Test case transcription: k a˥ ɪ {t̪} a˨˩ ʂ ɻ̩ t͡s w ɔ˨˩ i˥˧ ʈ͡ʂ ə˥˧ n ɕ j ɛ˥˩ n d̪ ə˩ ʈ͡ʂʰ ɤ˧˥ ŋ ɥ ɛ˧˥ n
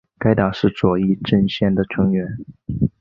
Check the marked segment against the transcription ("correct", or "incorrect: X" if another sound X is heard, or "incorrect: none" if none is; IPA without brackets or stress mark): correct